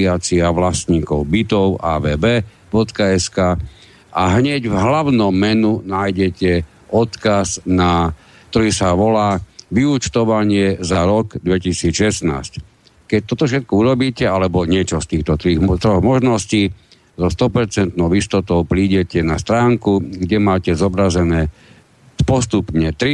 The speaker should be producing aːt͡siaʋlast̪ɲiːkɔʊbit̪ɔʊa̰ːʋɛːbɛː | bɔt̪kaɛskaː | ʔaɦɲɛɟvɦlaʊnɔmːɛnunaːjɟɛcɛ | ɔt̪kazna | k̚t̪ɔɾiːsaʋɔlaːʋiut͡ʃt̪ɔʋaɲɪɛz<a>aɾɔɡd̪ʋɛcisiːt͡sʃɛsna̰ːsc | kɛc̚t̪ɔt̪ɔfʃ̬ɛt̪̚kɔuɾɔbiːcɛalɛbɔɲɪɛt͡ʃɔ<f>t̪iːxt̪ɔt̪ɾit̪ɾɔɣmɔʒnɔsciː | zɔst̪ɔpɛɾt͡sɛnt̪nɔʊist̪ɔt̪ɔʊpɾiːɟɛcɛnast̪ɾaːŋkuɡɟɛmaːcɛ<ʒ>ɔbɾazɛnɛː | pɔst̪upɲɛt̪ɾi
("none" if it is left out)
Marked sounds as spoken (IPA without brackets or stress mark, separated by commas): a, s, z